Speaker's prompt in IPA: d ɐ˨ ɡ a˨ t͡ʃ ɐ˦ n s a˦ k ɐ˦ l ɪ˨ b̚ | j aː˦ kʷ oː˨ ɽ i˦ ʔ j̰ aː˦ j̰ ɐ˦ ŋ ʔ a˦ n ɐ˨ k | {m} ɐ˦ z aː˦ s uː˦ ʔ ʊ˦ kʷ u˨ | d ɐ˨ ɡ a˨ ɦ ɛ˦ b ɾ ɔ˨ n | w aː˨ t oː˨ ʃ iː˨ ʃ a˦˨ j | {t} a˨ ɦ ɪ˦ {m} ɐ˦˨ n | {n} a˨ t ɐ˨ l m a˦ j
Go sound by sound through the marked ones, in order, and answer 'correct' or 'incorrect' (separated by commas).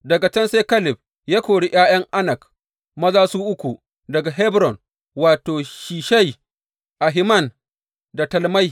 correct, incorrect, correct, incorrect